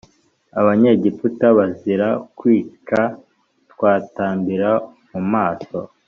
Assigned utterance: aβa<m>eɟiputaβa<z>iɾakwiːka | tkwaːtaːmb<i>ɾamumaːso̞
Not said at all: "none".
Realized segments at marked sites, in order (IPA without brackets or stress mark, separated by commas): ɲ, z, i